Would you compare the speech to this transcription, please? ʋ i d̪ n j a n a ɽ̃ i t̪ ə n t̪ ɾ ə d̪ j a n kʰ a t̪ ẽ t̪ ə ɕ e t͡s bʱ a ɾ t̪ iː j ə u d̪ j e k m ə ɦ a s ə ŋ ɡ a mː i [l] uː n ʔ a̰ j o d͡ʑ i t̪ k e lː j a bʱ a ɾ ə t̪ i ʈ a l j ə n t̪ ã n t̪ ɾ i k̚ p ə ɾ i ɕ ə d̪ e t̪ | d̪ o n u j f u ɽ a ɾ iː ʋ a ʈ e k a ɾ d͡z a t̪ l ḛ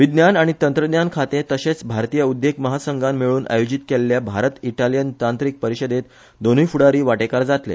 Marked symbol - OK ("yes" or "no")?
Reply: no